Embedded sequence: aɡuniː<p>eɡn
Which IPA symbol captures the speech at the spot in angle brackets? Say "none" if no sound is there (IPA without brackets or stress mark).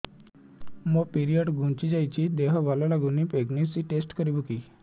p